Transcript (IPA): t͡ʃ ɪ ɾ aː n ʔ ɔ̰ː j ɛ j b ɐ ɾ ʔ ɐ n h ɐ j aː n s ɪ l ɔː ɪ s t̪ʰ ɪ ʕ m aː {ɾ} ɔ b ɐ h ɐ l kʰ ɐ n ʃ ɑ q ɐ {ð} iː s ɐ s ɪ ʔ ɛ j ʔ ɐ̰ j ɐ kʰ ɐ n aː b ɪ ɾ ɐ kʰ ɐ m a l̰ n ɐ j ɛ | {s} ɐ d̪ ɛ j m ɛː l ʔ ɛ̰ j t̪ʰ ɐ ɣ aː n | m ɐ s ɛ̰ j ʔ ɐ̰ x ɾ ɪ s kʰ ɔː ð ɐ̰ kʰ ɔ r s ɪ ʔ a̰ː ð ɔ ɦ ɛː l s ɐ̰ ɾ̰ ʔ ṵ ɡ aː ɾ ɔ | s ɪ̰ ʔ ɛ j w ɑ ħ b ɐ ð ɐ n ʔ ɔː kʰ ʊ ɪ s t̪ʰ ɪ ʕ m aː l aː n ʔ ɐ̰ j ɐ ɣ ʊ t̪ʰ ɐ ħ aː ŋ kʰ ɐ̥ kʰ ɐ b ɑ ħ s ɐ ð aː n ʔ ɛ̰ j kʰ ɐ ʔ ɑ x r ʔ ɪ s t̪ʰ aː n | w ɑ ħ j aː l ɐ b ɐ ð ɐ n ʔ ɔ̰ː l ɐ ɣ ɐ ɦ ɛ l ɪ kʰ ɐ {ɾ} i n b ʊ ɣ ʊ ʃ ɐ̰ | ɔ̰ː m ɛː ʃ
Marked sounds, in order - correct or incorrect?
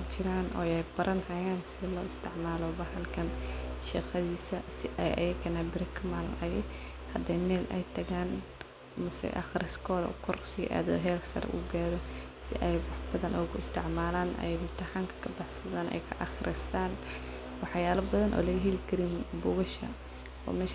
incorrect, correct, incorrect, correct

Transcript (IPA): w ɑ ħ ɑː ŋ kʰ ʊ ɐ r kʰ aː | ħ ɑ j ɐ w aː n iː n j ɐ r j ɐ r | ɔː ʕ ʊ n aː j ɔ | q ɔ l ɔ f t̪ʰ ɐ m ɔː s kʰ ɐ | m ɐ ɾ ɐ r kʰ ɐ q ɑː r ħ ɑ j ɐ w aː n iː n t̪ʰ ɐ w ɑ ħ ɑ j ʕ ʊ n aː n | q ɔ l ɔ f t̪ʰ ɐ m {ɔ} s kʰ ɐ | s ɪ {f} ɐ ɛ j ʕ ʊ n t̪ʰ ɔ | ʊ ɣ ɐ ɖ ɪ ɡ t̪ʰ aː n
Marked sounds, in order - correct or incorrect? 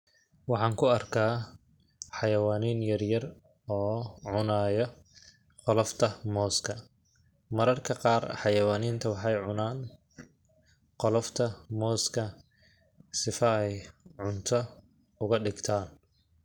incorrect, correct

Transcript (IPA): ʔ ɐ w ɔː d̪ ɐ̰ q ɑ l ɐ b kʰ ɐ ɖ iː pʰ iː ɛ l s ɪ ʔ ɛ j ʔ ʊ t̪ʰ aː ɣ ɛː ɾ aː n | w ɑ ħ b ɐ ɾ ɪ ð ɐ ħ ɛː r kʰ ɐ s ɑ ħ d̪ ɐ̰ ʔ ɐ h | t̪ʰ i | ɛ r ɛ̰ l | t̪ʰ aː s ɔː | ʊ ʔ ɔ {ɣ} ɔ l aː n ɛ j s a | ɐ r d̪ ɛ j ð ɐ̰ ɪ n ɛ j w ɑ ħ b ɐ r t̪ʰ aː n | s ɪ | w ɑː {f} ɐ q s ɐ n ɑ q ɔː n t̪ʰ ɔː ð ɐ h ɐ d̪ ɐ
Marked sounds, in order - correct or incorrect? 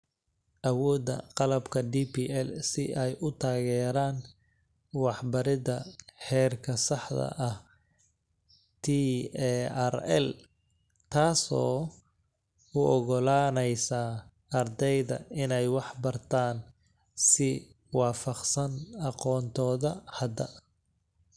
correct, correct

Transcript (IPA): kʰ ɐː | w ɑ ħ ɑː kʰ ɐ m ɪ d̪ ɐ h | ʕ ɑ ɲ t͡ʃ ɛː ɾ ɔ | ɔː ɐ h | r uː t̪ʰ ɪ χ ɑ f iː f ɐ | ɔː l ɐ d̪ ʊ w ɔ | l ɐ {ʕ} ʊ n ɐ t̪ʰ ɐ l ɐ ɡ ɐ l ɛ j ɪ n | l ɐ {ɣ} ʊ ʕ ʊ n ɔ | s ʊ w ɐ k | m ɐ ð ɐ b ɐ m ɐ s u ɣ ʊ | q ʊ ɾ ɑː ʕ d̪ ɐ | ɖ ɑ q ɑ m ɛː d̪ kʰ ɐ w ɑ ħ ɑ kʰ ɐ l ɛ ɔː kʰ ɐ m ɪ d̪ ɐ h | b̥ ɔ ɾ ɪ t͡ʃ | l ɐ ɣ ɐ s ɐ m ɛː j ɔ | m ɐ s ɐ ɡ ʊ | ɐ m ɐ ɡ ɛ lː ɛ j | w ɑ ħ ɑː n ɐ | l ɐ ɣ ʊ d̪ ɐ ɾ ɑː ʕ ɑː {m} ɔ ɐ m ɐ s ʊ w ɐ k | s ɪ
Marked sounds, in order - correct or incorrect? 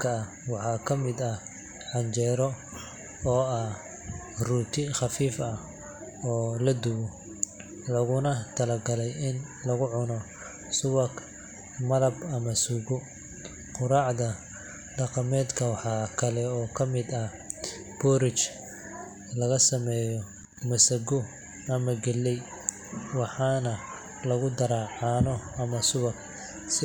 incorrect, correct, incorrect

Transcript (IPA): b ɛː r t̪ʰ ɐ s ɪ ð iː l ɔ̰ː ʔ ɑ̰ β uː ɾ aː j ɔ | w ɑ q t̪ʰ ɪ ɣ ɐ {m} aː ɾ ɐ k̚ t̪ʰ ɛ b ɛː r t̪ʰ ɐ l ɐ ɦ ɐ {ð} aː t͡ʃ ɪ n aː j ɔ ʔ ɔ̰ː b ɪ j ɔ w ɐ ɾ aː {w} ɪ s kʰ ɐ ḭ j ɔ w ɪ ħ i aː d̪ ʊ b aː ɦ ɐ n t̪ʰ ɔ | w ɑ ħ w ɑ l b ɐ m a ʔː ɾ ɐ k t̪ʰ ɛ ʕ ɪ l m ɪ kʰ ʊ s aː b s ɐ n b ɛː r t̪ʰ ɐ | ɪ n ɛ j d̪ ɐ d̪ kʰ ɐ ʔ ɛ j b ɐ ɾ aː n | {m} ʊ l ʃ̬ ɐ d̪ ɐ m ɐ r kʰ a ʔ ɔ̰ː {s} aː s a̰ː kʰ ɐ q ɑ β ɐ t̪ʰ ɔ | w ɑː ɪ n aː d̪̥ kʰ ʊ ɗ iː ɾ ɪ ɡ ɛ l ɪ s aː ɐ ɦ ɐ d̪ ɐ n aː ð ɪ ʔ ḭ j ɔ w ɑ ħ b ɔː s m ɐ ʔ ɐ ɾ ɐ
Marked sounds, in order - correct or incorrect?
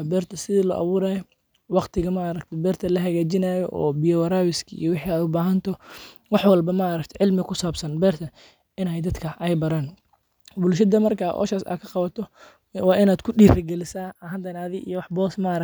correct, incorrect, correct, incorrect, incorrect

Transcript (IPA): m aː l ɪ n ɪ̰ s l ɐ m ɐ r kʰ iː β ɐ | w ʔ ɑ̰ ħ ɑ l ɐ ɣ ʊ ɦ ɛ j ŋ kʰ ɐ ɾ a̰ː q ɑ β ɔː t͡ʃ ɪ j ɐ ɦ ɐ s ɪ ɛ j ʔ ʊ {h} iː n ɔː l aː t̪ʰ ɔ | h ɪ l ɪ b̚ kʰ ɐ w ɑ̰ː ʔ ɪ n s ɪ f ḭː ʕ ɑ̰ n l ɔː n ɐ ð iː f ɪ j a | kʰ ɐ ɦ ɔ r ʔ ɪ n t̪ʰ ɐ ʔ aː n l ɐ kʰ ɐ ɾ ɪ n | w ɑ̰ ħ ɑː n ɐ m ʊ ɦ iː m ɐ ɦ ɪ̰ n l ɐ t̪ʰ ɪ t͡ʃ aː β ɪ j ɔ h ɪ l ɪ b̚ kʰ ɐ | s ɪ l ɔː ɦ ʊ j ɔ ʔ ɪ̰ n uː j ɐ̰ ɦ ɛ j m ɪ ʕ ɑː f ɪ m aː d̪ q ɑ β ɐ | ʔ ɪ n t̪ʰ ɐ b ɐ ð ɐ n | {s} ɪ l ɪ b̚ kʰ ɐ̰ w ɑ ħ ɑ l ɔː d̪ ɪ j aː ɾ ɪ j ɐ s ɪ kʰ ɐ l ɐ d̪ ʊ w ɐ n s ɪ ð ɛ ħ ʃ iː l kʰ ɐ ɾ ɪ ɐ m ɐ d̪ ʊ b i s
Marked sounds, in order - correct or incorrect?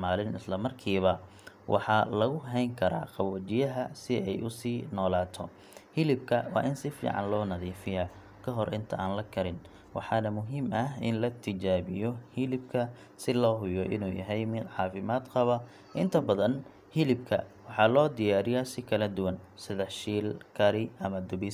incorrect, incorrect

